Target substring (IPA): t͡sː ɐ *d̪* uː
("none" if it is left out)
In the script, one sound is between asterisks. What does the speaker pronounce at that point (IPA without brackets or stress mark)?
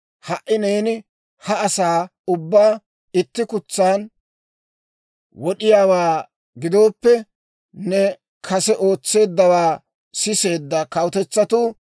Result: t̪